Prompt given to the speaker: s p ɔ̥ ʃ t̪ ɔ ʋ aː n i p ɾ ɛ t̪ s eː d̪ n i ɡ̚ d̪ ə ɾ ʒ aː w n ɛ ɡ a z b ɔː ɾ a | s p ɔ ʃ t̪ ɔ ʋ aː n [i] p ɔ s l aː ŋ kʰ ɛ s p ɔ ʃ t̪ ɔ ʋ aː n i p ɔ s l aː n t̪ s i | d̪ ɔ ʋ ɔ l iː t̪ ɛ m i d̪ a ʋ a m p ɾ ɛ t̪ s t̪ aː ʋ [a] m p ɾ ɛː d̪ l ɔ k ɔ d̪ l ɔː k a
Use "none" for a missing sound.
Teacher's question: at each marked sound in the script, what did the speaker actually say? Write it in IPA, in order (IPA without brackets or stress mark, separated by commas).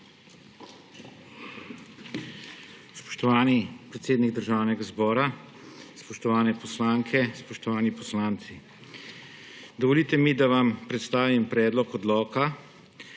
ɛ, i